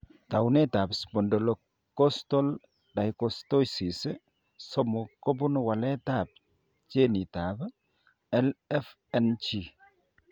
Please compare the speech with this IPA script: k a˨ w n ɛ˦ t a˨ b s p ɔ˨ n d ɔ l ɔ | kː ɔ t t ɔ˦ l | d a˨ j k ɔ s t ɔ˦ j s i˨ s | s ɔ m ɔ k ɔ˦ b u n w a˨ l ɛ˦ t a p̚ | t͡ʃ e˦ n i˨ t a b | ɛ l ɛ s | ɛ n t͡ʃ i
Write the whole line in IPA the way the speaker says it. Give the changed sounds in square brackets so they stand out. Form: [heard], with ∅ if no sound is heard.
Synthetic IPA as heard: [t] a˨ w n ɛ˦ t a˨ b s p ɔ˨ n d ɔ l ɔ | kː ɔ [s] t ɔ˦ l | d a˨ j k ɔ s t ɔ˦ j s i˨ s | s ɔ m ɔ k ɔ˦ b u n w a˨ l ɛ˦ t a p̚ | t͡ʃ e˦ n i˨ t a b | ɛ l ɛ [f] | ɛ n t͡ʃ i

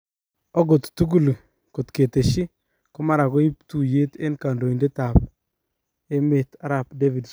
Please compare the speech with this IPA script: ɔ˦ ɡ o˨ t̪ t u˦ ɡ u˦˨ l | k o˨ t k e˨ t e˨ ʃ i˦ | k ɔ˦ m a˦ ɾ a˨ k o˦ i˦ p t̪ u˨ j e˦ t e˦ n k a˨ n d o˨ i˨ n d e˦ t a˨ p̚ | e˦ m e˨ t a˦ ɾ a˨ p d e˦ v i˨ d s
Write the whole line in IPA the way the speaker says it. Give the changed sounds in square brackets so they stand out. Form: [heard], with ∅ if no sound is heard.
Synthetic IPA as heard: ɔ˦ ɡ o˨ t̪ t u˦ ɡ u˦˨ l | k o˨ t k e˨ t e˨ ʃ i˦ | k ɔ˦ m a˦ ɾ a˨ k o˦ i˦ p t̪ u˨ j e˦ t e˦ n k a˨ n d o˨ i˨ n d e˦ t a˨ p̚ | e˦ m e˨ t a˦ ɾ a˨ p d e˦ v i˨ d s

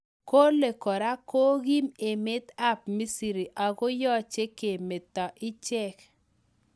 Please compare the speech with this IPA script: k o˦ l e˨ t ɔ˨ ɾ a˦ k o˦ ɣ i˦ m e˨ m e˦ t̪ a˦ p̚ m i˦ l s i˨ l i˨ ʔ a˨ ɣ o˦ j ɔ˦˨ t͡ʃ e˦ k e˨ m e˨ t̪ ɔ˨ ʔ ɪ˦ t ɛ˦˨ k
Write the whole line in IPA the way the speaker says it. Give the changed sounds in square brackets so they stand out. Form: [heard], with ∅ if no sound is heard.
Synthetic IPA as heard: k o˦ l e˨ [k] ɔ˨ ɾ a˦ k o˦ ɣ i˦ m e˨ m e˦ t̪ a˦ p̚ m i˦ [∅] s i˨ [ɾ] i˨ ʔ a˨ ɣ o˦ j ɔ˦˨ t͡ʃ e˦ k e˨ m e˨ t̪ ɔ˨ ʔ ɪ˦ [t͡ʃ] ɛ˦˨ k

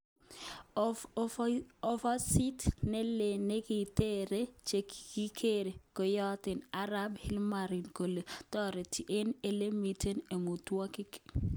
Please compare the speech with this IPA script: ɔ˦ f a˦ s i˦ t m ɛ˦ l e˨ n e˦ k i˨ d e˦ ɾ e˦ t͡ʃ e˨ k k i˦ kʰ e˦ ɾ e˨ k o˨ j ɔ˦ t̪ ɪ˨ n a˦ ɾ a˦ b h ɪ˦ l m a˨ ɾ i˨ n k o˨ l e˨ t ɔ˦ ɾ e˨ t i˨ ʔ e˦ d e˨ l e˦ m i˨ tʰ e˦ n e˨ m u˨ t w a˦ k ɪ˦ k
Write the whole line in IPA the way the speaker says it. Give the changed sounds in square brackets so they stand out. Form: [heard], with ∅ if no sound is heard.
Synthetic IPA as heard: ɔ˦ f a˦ s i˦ t [n] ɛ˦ l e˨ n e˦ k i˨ [t] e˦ ɾ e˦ t͡ʃ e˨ k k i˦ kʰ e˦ ɾ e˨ k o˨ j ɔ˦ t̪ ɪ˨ n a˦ ɾ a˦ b h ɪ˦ l m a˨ ɾ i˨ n k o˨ l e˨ t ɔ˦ ɾ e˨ t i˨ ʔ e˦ [n] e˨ l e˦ m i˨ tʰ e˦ n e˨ m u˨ t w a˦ k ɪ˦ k

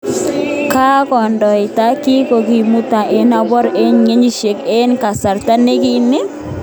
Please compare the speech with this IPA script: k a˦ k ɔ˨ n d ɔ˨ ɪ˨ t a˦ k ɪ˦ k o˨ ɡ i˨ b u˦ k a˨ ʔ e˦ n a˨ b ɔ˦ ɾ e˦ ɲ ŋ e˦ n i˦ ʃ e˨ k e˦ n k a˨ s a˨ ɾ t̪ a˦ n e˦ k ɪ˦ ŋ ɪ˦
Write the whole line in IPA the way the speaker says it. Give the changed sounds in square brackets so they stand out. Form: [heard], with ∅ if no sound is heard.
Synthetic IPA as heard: k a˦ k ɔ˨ n d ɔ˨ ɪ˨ t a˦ k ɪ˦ k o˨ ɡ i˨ [m] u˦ [t] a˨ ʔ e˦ n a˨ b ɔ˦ ɾ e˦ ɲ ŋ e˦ [ɲ] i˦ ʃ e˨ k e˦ n k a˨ s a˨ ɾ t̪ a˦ n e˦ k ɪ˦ [n] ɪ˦

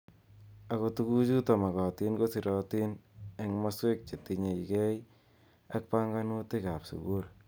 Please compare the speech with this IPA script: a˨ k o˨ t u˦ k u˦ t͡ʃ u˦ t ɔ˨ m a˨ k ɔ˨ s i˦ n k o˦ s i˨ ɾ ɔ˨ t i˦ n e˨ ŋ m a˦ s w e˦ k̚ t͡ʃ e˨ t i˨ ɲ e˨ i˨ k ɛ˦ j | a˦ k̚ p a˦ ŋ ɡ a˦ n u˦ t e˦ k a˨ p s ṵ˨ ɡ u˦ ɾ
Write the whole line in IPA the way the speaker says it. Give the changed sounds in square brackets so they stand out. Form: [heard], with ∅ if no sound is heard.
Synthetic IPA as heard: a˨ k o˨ t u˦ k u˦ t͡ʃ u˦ t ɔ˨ m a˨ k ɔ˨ [t] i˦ n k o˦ s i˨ ɾ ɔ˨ t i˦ n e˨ ŋ m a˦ s w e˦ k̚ t͡ʃ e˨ t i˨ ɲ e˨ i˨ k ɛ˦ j | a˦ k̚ p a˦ ŋ ɡ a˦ n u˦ t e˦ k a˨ p s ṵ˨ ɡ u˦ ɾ

